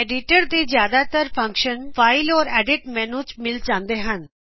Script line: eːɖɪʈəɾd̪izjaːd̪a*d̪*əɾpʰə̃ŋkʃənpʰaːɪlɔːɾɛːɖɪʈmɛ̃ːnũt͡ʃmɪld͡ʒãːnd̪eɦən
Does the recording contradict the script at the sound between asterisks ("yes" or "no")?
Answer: yes